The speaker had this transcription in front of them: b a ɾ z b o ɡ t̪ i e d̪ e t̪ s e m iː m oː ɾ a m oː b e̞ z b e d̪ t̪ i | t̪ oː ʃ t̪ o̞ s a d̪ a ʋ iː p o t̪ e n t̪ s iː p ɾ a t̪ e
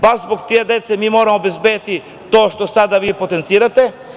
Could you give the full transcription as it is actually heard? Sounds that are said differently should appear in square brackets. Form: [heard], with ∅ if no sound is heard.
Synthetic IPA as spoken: b a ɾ z b o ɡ t̪ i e d̪ e t̪ s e m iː m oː ɾ a m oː b e̞ z b e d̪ t̪ i | t̪ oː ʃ t̪ o̞ s a d̪ a ʋ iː p o t̪ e n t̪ s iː [∅] ɾ a t̪ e